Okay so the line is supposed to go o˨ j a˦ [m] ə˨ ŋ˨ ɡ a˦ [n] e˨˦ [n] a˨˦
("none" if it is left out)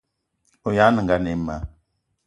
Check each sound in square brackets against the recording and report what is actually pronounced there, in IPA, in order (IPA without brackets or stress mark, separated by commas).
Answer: n, n, m